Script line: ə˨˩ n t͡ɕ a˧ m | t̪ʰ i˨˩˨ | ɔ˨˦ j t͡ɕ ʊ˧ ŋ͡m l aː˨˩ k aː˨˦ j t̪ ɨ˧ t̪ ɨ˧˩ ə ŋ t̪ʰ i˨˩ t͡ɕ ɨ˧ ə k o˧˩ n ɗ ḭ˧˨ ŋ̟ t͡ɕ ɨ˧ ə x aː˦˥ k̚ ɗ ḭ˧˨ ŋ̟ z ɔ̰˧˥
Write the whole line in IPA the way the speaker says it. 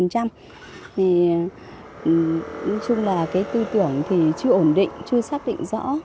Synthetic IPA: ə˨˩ n t͡ɕ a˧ m | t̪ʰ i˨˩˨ | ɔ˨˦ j t͡ɕ ʊ˧ ŋ͡m l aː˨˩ k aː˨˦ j t̪ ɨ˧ t̪ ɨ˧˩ ə ŋ t̪ʰ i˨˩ t͡ɕ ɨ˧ ə ʔ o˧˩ n ɗ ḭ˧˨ ŋ̟ t͡ɕ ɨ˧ ə s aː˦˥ k̚ ɗ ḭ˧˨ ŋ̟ z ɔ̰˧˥